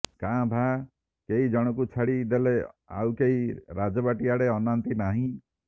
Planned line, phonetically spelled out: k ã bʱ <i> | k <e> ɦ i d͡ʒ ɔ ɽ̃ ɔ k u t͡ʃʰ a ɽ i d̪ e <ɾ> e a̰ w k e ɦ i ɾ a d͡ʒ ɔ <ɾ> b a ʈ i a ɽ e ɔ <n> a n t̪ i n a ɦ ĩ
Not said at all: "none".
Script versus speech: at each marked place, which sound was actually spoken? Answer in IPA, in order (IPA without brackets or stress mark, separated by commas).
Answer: a, e, l, none, n